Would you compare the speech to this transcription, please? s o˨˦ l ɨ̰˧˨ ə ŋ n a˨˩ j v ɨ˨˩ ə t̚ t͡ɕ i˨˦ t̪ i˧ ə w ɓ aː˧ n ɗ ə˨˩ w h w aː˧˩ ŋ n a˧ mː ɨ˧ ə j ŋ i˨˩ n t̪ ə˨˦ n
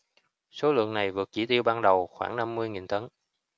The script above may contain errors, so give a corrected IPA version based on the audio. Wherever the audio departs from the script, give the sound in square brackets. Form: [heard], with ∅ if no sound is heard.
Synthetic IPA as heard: s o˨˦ l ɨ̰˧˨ ə ŋ n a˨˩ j v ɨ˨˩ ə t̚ t͡ɕ [i˧˩] t̪ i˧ ə w ɓ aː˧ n ɗ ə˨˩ w [x] w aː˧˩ ŋ n a˧ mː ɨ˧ ə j ŋ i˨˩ n t̪ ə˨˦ n